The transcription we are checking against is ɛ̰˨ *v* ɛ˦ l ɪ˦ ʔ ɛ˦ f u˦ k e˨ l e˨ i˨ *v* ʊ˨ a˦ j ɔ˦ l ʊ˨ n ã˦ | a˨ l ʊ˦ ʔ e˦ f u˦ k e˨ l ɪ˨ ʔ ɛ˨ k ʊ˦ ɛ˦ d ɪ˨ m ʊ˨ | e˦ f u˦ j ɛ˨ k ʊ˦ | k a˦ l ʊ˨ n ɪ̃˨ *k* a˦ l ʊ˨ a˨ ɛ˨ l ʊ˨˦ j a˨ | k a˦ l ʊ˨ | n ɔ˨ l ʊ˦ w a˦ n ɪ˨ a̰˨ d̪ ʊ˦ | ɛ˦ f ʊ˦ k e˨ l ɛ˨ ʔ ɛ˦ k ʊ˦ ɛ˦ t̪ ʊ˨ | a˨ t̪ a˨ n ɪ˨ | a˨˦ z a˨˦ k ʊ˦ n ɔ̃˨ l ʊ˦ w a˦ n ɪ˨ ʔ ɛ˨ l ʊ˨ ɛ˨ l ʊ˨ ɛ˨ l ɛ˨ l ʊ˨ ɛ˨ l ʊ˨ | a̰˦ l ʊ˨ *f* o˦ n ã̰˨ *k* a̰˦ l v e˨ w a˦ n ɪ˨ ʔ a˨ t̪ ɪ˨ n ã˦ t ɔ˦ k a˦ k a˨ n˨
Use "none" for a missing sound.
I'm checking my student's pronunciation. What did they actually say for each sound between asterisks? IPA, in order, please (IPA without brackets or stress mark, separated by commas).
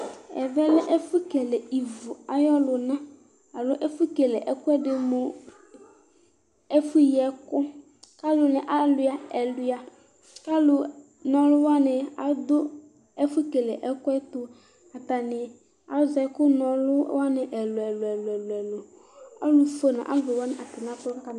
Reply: v, v, ʔ, f, ʔ